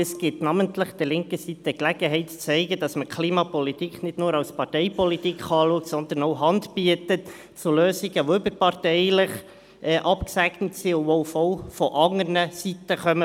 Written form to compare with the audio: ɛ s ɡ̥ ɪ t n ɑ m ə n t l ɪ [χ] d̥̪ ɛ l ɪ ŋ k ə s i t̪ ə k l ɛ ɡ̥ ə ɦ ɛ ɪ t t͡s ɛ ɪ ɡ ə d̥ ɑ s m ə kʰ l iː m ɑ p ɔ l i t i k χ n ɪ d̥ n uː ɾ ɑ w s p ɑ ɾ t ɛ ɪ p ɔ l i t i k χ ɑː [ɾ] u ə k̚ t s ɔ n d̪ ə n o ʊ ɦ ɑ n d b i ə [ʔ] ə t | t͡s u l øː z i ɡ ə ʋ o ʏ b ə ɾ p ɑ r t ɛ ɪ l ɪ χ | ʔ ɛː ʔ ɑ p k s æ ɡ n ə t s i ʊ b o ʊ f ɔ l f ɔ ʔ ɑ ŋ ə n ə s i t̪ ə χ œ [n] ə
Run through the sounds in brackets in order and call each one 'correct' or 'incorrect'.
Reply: correct, incorrect: l, incorrect: t, incorrect: m

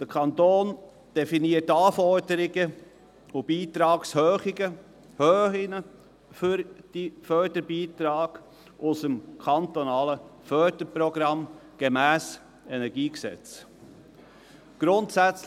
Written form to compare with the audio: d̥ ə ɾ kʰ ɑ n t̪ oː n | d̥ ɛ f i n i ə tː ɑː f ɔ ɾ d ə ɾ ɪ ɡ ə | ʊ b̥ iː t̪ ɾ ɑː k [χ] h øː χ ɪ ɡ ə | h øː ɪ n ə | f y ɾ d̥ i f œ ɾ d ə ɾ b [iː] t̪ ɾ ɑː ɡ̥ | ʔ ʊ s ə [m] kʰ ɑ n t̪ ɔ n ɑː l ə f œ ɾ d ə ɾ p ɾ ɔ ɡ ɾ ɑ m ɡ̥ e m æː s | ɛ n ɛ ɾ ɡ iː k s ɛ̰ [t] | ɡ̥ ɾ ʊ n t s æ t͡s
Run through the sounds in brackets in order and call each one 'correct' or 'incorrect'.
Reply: incorrect: s, correct, correct, incorrect: t͡s

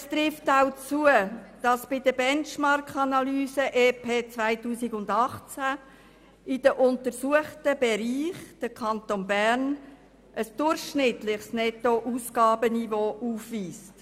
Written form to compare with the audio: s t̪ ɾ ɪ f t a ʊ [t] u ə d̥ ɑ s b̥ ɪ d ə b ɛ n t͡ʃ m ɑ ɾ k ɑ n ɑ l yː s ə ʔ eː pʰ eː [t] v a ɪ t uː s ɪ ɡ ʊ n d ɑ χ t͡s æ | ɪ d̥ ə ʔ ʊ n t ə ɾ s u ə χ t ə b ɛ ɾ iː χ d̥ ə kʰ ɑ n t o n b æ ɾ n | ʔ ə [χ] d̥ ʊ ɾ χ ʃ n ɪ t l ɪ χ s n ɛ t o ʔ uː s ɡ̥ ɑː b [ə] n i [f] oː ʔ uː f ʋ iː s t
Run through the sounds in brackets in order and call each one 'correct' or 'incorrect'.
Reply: incorrect: t͡s, incorrect: t͡s, incorrect: s, correct, incorrect: v

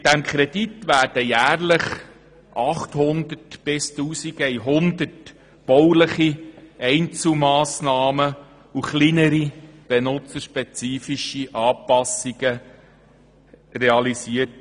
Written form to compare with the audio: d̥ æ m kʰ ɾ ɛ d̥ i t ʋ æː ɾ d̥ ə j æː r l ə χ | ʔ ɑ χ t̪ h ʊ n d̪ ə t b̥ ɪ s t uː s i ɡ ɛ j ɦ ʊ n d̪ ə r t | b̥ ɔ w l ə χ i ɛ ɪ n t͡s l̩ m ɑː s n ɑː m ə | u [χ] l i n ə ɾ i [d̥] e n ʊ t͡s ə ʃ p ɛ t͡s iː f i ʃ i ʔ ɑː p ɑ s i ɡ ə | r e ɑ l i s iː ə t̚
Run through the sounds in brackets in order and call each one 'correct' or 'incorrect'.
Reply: correct, incorrect: b̥

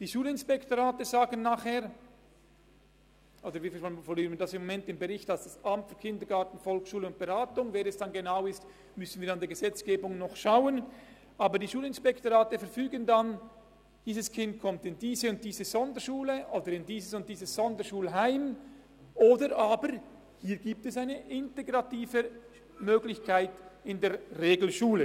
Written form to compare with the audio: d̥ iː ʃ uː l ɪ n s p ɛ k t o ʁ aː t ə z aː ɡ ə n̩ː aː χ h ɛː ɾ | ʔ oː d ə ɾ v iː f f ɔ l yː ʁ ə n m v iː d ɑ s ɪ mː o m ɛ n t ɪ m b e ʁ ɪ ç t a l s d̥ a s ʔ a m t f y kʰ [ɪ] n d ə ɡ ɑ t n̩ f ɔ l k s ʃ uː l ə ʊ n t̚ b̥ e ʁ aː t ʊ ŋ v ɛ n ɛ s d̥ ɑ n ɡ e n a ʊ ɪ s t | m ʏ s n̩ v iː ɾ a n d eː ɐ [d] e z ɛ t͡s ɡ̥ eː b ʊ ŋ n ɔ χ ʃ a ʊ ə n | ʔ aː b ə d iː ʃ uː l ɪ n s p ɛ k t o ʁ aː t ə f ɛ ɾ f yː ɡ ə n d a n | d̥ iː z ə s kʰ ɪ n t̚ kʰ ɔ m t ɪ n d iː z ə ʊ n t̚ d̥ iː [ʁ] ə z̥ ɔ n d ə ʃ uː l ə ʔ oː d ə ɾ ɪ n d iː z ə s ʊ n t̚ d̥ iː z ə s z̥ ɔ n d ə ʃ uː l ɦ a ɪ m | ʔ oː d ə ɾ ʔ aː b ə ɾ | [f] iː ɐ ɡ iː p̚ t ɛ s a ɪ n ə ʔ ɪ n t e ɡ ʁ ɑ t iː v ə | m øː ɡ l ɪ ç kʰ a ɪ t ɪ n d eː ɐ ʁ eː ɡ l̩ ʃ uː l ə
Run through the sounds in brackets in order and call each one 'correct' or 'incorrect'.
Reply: correct, incorrect: ɡ, incorrect: z, incorrect: h

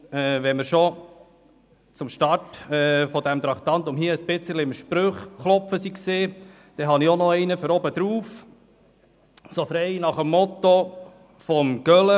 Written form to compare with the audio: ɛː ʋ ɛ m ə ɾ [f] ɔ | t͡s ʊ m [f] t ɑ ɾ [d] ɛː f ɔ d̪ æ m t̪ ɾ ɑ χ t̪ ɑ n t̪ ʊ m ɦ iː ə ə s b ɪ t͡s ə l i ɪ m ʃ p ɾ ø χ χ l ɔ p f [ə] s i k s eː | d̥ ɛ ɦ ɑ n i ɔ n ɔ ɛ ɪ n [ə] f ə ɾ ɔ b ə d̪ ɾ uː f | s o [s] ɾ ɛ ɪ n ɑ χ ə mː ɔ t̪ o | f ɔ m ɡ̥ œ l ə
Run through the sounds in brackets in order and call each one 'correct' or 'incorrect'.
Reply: incorrect: ʃ, incorrect: ʃ, incorrect: t, correct, correct, incorrect: f

